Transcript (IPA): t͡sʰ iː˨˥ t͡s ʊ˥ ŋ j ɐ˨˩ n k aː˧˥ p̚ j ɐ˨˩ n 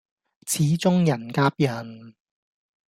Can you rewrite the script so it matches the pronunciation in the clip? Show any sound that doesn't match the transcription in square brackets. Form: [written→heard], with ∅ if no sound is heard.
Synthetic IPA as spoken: t͡sʰ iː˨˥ t͡s ʊ˥ ŋ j ɐ˨˩ n k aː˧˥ p̚ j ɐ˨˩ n